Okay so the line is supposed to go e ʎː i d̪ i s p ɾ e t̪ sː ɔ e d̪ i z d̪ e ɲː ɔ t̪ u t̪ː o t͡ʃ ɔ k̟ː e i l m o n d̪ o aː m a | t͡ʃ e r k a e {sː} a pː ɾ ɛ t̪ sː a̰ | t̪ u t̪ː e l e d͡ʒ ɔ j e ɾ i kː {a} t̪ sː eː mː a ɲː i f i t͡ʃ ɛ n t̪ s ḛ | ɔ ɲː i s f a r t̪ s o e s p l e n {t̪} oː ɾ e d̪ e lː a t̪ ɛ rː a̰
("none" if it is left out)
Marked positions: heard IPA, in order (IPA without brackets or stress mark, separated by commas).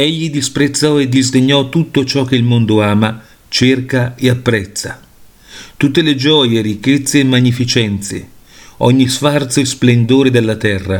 none, e, d̪